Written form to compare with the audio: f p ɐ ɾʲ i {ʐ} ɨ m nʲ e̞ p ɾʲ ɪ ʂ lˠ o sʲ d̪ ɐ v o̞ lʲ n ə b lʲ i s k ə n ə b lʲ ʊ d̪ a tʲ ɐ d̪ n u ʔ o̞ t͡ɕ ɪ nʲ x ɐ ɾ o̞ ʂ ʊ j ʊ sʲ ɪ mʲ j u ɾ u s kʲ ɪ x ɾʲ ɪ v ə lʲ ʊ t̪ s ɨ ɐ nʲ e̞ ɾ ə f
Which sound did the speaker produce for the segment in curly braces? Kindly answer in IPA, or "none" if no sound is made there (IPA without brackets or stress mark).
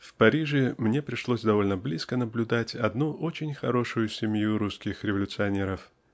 ʐ